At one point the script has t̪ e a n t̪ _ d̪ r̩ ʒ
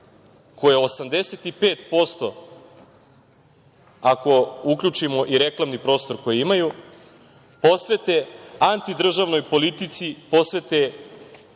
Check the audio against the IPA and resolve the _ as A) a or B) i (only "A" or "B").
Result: B